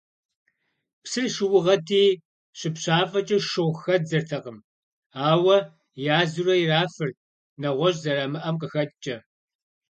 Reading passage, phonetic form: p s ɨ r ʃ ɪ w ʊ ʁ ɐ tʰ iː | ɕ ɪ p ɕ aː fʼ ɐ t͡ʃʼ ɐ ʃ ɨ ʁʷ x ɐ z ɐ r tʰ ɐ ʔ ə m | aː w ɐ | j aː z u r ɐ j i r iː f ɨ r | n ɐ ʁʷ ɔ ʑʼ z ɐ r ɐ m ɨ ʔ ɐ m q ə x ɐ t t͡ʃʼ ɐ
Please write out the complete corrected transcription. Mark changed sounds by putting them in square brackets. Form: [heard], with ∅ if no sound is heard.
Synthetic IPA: p s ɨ r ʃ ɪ w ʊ ʁ ɐ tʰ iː | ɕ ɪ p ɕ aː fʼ ɐ t͡ʃʼ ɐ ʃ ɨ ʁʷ x ɐ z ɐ r tʰ ɐ [q] ə m | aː w ɐ | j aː z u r ɐ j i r [aː] f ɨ r | n ɐ ʁʷ ɔ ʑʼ z ɐ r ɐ m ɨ ʔ ɐ m q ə x ɐ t t͡ʃʼ ɐ